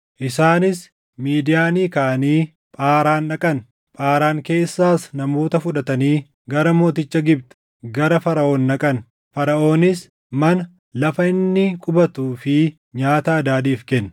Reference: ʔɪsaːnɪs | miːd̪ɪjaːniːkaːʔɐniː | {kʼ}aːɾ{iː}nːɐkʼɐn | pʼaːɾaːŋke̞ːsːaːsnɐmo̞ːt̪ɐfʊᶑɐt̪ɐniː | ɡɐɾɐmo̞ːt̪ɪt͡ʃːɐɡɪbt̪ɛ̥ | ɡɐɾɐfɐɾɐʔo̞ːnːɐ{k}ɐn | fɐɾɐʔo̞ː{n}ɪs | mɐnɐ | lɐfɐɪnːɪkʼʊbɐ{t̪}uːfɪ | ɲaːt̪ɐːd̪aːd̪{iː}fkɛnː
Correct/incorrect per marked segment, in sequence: incorrect: pʼ, incorrect: aː, incorrect: kʼ, correct, correct, correct

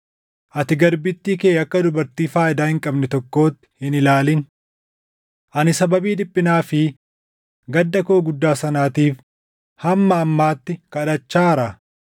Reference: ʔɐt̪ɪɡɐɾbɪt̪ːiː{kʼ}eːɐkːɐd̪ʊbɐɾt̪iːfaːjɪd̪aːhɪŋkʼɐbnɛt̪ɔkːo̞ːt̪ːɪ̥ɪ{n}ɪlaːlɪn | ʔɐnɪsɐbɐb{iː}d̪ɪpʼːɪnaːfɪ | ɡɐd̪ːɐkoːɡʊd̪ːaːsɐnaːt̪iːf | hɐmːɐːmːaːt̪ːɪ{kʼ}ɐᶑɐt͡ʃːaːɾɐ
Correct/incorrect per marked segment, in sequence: incorrect: k, correct, correct, incorrect: k

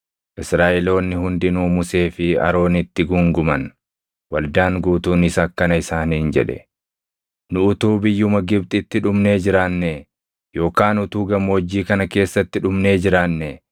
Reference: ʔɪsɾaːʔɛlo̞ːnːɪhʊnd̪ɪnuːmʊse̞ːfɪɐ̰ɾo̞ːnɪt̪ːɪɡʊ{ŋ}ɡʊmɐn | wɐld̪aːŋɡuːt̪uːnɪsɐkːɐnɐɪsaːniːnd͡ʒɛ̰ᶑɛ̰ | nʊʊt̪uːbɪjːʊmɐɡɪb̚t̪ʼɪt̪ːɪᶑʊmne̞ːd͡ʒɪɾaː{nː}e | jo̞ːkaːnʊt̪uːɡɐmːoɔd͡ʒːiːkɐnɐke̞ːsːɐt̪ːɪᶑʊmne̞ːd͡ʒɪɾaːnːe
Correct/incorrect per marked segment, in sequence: correct, correct

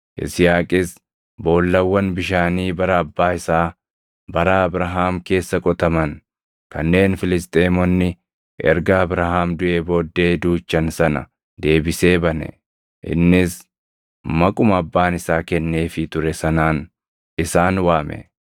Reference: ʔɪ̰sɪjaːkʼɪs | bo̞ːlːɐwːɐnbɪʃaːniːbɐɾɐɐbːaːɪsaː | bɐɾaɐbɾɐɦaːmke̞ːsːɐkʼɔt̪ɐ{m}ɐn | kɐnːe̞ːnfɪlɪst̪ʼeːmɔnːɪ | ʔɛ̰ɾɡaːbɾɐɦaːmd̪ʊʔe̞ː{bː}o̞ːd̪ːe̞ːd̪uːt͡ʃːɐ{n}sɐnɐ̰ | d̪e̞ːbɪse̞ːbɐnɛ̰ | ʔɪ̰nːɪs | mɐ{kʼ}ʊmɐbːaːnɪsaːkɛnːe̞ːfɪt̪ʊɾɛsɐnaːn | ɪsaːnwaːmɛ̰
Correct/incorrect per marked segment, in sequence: correct, incorrect: b, correct, correct

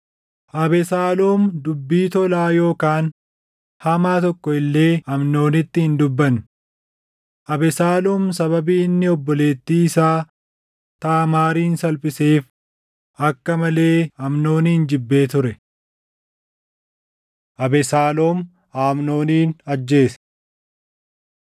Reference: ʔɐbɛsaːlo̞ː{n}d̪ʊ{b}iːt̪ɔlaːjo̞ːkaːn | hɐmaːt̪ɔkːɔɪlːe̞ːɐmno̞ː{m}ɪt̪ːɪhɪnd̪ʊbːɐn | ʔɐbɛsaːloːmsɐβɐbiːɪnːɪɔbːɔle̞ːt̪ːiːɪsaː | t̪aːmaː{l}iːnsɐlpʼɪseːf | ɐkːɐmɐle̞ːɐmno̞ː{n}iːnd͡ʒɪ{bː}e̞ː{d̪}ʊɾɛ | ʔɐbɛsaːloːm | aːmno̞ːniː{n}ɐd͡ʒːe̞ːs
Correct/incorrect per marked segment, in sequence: incorrect: m, incorrect: bː, incorrect: n, incorrect: ɾ, correct, correct, incorrect: t̪, correct

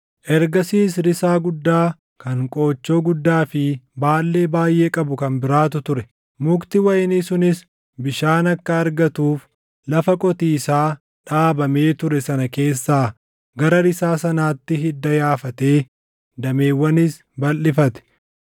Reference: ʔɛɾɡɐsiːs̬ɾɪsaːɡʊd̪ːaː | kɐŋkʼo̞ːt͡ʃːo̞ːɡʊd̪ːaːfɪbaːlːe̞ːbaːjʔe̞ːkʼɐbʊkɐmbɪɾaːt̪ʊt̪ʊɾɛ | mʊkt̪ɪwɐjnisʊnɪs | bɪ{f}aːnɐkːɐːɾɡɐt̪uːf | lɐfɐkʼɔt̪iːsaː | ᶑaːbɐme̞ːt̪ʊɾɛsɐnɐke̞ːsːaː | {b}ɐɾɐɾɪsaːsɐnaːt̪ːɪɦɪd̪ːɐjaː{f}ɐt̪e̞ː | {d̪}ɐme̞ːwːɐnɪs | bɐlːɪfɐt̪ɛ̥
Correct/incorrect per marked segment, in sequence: incorrect: ʃ, incorrect: ɡ, correct, correct

